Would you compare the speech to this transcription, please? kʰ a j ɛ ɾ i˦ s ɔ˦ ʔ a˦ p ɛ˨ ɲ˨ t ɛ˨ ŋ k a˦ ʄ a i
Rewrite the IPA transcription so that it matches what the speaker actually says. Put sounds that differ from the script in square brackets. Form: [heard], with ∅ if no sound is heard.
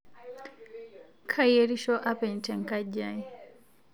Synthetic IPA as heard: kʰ a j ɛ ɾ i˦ [ʃ] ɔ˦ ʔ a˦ p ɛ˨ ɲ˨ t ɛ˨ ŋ k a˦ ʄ a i